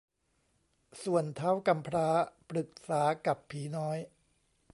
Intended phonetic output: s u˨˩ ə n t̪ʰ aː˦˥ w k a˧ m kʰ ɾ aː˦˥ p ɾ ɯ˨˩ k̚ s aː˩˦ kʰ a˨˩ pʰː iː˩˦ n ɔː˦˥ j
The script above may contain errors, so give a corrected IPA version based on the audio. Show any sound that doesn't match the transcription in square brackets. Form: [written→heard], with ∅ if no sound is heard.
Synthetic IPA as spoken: s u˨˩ ə n t̪ʰ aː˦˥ w k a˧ m [kʰ→pʰ] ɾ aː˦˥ p ɾ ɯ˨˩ k̚ s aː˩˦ [kʰ→k] a˨˩ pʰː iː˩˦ n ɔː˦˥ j